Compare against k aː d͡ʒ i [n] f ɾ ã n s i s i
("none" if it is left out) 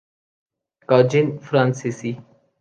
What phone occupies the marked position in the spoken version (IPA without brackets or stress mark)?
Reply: n